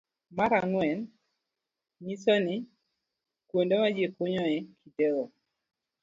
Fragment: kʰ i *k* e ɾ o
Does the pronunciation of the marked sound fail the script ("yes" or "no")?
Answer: yes